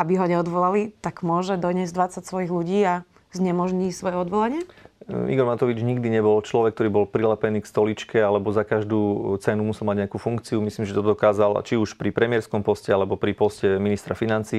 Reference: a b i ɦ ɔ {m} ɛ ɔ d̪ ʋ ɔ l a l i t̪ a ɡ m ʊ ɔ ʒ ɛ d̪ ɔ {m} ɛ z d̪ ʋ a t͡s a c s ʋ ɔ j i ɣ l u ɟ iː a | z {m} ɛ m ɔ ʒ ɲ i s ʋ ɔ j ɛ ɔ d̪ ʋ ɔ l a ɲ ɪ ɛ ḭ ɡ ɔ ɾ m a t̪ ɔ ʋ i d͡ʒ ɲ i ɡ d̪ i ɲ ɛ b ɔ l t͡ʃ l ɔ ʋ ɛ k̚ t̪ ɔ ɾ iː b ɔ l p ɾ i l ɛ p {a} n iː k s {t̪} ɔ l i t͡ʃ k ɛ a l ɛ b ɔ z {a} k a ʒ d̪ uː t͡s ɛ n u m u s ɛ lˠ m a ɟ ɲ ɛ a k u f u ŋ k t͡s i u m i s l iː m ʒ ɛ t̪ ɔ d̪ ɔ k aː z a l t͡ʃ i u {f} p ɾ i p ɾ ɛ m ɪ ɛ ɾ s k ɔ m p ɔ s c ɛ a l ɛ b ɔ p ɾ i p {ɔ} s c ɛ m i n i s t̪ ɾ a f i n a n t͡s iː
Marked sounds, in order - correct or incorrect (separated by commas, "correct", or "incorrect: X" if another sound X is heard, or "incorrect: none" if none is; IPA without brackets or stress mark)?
incorrect: ɲ, incorrect: ɲ, incorrect: ɲ, incorrect: ɛ, correct, correct, incorrect: ʃ, correct